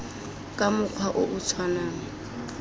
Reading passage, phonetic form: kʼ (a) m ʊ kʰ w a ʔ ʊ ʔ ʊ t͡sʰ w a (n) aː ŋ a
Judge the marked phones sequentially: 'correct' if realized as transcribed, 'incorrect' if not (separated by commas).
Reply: correct, correct